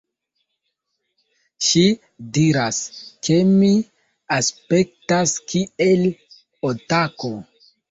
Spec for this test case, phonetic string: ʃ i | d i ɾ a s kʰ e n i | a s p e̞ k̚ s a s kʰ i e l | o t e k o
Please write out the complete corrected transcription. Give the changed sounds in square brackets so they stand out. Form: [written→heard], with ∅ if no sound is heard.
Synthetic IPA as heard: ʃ i | d i ɾ a s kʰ e [n→m] i | a s p e̞ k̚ [s→t] a s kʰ i e l | o t [e→a] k o